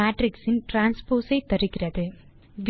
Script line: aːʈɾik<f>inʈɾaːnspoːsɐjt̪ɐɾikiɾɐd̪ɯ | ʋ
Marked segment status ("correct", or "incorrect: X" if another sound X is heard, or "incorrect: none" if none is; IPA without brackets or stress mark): incorrect: s